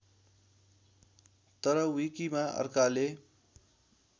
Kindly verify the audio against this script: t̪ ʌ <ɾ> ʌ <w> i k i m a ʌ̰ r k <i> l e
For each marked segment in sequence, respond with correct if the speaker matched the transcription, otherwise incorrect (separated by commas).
correct, correct, incorrect